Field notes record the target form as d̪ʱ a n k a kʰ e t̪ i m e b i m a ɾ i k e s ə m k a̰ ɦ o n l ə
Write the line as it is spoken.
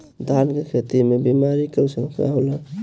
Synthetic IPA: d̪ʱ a n k e kʰ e t̪ i m e b i m a ɾ i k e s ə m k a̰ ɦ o l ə

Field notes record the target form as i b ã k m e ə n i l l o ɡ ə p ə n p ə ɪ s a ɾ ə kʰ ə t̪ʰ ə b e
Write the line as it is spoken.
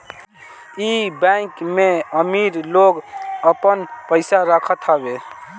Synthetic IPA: i b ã k m e ə m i ɾ l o ɡ ə p ə n p ə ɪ s a ɾ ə kʰ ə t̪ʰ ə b e

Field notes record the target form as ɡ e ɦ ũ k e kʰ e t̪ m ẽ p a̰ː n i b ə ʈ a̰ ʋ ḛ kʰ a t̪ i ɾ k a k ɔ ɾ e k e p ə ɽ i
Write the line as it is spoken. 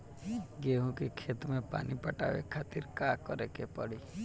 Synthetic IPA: ɡ e ɦ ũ k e kʰ e t̪ m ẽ p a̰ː n i p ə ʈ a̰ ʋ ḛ kʰ a t̪ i ɾ k a k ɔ ɾ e k e p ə ɽ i

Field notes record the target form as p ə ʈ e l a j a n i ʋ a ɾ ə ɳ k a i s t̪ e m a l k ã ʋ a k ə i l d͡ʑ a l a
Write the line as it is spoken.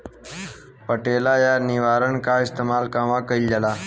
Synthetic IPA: p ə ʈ e l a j a n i ʋ a ɾ ə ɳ k a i s t̪ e m a l k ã ʋ a k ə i l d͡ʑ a l a

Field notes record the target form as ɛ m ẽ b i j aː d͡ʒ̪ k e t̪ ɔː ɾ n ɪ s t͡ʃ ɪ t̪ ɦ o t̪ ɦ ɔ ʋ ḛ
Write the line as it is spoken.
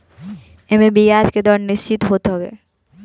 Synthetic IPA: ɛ m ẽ b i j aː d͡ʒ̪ k e d̪ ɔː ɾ n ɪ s t͡ʃ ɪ t̪ ɦ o t̪ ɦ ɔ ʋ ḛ

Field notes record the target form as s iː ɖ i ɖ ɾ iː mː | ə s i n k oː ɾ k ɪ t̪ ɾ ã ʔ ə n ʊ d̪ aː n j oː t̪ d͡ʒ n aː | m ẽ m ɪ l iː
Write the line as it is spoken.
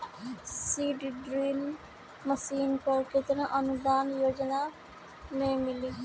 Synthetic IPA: s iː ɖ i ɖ ɾ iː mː | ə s iː n k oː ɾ k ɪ t̪ ɾ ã ʔ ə n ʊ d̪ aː n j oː d͡ʒ n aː | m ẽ m ɪ l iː

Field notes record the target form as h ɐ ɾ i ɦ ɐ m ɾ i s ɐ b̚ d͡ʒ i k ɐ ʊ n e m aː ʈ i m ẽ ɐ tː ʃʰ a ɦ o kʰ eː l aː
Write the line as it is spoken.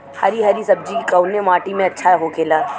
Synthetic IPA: h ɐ ɾ i ɦ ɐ ɾ i s ɐ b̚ d͡ʒ i k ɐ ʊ n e m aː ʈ i m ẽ ɐ tː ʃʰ a ɦ o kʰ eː l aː

